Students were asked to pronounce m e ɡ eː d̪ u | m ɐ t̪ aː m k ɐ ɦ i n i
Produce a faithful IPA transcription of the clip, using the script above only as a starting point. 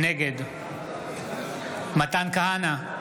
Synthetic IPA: n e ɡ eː d̪ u | m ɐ t̪ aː n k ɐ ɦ a n a